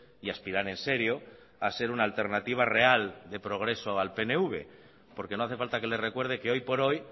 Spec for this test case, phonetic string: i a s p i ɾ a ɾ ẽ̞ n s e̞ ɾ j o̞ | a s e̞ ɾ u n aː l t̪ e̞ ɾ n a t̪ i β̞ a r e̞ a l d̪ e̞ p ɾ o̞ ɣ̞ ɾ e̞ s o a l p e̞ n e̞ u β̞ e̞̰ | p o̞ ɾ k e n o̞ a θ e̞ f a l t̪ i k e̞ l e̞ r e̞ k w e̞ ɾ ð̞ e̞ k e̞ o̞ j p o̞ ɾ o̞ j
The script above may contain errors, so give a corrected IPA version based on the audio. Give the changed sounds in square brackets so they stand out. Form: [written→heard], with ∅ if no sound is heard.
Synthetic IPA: i a s p i ɾ a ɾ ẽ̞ n s e̞ ɾ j o̞ | a s e̞ ɾ u n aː l t̪ e̞ ɾ n a t̪ i β̞ a r e̞ a l d̪ e̞ p ɾ o̞ ɣ̞ ɾ e̞ s o a l p e̞ n e̞ u β̞ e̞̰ | p o̞ ɾ k e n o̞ a θ e̞ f a l t̪ [i→a] k e̞ l e̞ r e̞ k w e̞ ɾ ð̞ e̞ k e̞ o̞ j p o̞ ɾ o̞ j